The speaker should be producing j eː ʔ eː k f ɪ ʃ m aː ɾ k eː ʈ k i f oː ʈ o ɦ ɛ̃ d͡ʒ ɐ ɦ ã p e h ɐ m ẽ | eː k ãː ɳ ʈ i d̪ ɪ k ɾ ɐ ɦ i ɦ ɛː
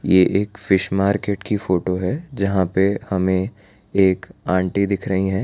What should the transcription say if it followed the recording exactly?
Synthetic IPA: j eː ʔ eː k f ɪ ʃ m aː ɾ k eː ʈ k i f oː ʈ o ɦ ɛ d͡ʒ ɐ ɦ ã p e h ɐ m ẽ | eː k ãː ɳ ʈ i d̪ ɪ kʰ ɾ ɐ ɦ i ɦ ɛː